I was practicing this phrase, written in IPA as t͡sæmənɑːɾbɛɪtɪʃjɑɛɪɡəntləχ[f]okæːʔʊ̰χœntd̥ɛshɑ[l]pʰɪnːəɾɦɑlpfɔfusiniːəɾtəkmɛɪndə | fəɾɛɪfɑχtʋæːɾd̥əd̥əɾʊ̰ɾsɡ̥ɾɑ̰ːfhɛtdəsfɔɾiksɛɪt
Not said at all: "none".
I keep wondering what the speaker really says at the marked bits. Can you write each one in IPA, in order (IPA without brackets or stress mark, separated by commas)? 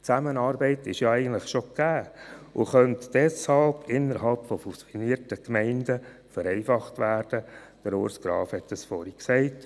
ʃ, l